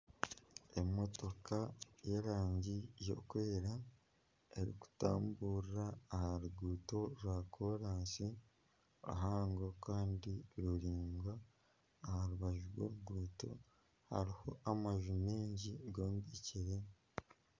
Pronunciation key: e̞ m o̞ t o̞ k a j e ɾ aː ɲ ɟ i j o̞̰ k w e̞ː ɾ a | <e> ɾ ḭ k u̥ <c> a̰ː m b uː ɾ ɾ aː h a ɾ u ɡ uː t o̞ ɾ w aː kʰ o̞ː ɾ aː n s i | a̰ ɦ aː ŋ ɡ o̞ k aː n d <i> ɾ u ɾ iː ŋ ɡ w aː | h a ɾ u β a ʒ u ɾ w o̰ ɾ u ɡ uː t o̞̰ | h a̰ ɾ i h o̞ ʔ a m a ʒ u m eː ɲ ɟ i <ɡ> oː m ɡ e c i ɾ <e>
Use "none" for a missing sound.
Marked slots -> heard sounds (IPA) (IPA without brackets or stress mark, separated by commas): e, t, i, ɡ, e